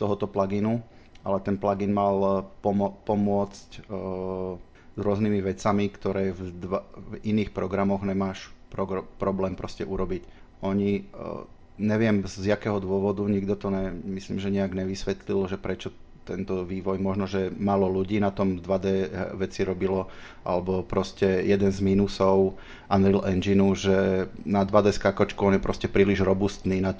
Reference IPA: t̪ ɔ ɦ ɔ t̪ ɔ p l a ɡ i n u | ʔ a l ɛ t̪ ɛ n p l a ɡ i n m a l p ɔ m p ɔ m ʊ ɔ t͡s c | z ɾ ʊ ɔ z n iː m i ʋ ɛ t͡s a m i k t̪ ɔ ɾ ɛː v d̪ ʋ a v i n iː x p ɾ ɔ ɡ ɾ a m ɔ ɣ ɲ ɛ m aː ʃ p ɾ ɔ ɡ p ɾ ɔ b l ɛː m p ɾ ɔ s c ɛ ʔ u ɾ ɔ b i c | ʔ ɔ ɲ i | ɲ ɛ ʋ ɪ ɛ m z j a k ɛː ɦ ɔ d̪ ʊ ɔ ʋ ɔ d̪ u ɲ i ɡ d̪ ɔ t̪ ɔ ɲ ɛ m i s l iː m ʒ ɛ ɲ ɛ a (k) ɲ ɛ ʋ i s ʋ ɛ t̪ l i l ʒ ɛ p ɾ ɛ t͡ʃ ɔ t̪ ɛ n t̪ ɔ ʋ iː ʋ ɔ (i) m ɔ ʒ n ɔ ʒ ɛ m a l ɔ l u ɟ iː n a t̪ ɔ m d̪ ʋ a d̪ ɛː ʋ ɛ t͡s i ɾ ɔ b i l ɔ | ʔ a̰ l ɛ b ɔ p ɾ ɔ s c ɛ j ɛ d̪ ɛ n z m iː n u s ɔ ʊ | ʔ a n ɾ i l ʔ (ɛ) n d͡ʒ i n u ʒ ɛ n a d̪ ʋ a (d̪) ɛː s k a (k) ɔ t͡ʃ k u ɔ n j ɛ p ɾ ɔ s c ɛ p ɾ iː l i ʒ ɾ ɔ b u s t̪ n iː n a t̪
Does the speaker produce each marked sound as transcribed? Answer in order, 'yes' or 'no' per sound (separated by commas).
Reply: no, no, yes, yes, yes